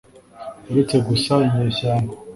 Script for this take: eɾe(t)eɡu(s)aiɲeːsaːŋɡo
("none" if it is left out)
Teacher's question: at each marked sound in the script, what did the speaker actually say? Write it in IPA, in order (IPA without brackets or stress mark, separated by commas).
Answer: t͡s, s